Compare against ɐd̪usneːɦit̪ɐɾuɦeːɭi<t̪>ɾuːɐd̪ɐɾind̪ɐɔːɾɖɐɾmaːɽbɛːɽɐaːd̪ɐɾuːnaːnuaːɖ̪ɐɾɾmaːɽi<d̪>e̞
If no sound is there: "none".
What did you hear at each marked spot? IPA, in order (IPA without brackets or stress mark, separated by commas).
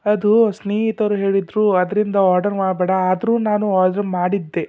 d̪, d̪ː